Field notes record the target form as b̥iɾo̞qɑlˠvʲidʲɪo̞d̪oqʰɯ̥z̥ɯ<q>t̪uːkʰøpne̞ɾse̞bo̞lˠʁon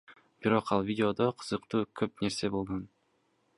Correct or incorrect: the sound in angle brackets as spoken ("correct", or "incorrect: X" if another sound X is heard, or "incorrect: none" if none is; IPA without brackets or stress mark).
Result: correct